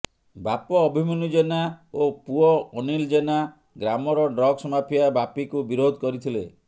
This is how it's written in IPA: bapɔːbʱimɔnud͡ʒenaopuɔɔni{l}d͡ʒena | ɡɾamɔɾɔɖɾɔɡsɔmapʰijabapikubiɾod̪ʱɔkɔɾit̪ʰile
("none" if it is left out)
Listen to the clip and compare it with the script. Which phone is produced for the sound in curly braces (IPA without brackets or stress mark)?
l